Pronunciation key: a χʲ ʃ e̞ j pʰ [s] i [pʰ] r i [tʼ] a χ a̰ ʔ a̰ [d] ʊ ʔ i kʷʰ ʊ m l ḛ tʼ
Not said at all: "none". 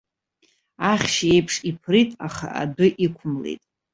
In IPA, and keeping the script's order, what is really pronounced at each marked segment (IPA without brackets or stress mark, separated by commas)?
ʂ, pʰ, tʼ, d